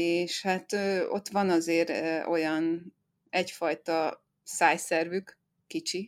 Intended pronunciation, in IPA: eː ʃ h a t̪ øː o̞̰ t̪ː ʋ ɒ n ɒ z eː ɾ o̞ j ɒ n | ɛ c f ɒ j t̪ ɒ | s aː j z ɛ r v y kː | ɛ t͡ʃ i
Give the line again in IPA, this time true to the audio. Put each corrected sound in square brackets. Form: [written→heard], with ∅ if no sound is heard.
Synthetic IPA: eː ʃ h a t̪ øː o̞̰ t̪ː ʋ ɒ n ɒ z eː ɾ o̞ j ɒ n | ɛ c f ɒ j t̪ ɒ | s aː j [z→s] ɛ r v y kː | [ɛ→i] t͡ʃ i